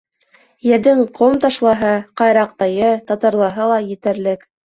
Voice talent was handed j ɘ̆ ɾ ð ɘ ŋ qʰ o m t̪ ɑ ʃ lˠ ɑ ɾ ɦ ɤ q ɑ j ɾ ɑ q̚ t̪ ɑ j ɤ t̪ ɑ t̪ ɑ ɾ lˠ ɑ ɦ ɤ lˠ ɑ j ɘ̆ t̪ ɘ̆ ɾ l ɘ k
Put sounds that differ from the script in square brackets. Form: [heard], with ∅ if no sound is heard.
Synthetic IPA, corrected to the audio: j ɘ̆ ɾ ð ɘ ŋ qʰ o m t̪ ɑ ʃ lˠ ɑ [∅] ɦ ɤ q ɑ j ɾ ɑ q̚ t̪ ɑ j ɤ t̪ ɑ t̪ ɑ ɾ lˠ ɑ ɦ ɤ lˠ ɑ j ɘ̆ t̪ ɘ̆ ɾ l ɘ k